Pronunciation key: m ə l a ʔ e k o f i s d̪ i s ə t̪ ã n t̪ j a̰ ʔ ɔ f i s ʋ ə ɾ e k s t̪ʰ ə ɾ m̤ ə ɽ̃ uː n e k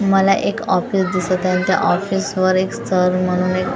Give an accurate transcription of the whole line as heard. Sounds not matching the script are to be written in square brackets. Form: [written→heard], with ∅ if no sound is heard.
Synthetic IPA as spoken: m ə l a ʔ e k [o→ɔ] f i s d̪ i s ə t̪ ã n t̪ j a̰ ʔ ɔ f i s ʋ ə ɾ e k s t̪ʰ ə ɾ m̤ ə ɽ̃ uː n e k

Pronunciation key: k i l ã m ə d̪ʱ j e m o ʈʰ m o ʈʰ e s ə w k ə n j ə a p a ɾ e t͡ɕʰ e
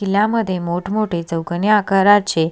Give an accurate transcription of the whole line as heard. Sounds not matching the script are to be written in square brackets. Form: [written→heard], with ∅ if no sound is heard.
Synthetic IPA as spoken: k i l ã m ə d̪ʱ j e m o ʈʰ m o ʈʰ e [s→t͡s] ə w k ə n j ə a [p→k] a ɾ [e→a] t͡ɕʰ e

